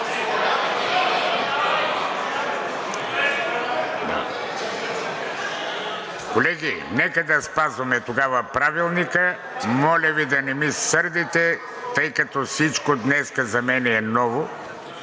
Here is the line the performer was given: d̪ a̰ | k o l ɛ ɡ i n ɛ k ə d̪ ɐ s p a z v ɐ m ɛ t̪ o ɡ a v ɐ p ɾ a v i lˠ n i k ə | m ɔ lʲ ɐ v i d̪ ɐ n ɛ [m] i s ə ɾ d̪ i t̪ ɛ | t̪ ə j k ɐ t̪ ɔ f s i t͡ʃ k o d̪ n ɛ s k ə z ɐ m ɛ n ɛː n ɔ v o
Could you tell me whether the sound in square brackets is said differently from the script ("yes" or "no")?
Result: no